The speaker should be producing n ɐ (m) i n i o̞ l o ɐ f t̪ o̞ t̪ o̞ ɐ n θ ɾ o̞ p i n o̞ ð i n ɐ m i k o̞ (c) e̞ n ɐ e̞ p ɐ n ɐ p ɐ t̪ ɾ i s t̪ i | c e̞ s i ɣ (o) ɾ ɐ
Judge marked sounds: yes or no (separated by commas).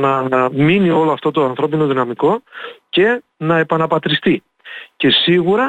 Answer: yes, yes, no